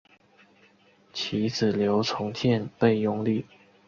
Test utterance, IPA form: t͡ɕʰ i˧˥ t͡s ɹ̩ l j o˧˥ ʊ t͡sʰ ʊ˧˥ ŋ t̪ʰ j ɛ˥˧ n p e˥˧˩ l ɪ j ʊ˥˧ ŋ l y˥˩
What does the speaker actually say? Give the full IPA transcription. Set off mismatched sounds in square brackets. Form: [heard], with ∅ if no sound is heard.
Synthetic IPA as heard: t͡ɕʰ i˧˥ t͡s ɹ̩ l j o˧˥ ʊ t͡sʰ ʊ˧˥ ŋ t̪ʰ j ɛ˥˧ n p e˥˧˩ [∅] ɪ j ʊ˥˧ ŋ l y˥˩